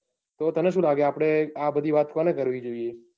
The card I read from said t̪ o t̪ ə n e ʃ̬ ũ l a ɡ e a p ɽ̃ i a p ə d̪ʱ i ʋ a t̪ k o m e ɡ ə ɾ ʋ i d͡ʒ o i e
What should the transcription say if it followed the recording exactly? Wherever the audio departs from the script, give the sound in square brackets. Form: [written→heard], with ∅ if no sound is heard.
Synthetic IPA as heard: t̪ o t̪ ə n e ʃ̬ ũ l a ɡ e a p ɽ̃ [i→e] a [p→b] ə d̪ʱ i ʋ a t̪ k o [m→n] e [ɡ→k] ə ɾ ʋ i d͡ʒ o i e